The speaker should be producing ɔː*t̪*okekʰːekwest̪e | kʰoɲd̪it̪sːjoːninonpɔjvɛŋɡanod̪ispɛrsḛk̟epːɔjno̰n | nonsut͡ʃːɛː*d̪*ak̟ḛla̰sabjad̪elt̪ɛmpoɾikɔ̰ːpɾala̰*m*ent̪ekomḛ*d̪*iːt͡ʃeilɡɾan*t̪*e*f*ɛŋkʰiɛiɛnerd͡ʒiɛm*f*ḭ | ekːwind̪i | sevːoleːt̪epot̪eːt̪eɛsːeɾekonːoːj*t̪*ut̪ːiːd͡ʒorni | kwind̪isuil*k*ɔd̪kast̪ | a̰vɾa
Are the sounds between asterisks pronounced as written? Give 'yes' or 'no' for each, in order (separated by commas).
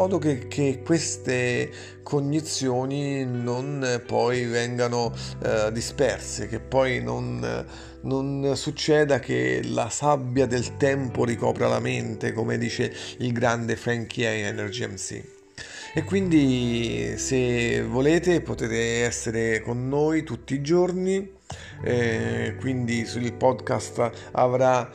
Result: no, yes, yes, yes, no, yes, no, yes, no